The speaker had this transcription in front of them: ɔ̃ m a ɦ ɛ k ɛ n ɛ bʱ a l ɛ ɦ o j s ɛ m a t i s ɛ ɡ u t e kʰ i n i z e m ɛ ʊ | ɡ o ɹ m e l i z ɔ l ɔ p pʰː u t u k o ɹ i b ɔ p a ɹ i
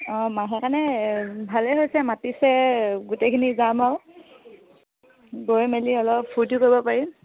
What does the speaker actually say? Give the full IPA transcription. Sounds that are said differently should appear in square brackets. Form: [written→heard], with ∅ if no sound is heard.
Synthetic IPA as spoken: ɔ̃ m a ɦ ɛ k [ɛ→a] n ɛ bʱ a l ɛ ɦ o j s ɛ m a t i s ɛ ɡ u t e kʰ i n i z [e→a] m [ɛ→a] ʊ | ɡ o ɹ m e l i [z→∅] ɔ l ɔ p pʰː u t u k o ɹ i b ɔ p a ɹ i